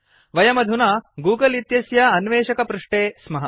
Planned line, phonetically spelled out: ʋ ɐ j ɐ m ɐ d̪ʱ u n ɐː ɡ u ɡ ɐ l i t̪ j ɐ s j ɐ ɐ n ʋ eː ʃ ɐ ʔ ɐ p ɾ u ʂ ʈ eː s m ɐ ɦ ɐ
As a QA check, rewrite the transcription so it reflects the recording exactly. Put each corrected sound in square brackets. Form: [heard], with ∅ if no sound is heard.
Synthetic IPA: ʋ ɐ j ɐ m ɐ d̪ʱ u n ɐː ɡ [uː] ɡ ɐ l i t̪ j ɐ s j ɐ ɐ n ʋ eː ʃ ɐ [k] ɐ p ɾ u ʂ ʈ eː s m ɐ ɦ ɐ